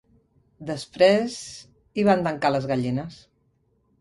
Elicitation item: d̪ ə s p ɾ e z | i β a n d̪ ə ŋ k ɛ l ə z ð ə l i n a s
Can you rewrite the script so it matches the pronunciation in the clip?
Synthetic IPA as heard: d̪ ə s p ɾ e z | i β a n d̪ ə ŋ k a l ə z ɣ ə ʎ i n ə s